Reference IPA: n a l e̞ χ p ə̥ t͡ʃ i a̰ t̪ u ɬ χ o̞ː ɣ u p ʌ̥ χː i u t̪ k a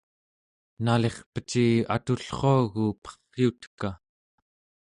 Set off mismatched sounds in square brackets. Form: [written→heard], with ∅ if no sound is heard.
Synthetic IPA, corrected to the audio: n a l e̞ χ p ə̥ t͡ʃ i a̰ t̪ u ɬ χ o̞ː ɣ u p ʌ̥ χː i u t̪ k a